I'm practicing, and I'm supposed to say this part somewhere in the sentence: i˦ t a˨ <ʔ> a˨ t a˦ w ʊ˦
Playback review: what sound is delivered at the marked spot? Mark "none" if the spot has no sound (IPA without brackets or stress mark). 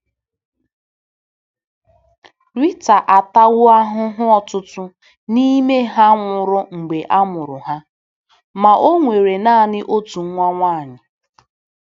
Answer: ʔ